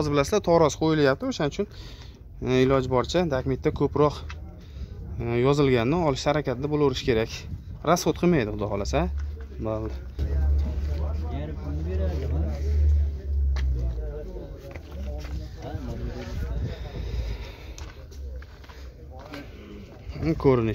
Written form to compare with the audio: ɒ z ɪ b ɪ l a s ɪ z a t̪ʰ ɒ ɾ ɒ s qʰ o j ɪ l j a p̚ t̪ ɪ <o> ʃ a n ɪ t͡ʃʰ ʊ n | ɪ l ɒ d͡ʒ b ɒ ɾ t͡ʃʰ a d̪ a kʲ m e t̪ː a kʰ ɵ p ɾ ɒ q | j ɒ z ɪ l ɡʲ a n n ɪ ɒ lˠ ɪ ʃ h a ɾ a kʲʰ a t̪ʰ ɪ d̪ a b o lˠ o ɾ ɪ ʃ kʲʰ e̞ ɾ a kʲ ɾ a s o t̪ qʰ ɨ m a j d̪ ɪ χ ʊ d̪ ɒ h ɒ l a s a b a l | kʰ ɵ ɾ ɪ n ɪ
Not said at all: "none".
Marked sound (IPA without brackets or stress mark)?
o